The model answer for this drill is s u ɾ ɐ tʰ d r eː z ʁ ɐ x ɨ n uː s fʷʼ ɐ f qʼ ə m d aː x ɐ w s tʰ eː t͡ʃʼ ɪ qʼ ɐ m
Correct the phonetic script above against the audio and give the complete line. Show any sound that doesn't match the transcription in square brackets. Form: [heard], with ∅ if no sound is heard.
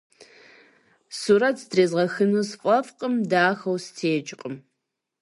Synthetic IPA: s u ɾ ɐ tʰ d r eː z ʁ ɐ x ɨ n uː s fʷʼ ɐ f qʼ ə m d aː x ɐ w s tʰ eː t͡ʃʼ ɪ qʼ [ə] m